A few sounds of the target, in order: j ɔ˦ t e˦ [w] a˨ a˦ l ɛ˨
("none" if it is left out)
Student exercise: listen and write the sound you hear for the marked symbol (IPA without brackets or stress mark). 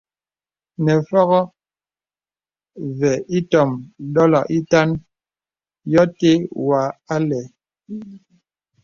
w